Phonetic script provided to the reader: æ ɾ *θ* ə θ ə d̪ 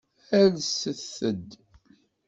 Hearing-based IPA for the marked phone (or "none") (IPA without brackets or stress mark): s